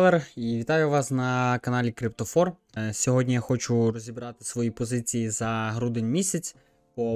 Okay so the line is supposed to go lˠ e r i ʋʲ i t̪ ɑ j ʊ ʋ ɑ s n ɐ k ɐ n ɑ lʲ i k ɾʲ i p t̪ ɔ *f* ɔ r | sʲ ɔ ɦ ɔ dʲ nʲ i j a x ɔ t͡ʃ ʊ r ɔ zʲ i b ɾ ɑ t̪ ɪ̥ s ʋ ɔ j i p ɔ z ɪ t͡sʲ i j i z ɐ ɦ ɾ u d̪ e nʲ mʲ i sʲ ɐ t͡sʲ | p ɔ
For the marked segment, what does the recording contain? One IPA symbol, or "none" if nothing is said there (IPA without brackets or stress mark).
f